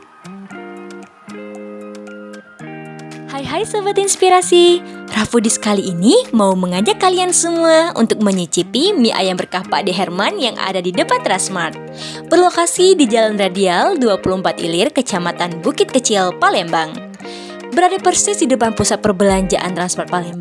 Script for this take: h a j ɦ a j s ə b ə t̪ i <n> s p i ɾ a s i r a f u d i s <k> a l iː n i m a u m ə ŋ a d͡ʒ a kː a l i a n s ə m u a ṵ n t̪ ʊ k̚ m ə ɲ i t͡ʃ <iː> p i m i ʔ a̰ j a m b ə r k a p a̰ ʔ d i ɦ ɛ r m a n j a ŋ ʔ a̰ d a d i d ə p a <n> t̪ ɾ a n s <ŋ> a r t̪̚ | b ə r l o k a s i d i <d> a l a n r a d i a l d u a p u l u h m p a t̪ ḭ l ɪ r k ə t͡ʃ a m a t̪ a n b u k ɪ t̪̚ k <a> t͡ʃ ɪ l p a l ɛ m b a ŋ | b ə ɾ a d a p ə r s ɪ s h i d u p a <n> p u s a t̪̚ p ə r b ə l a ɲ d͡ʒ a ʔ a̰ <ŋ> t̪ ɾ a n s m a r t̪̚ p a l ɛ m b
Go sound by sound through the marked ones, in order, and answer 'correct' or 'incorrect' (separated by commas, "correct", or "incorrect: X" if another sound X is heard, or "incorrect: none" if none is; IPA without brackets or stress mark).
correct, correct, incorrect: i, correct, incorrect: m, incorrect: d͡ʒ, incorrect: ə, correct, incorrect: n